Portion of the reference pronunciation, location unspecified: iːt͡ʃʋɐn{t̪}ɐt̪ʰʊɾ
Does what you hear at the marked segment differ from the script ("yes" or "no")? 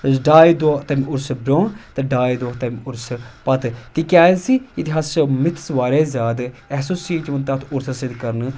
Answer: no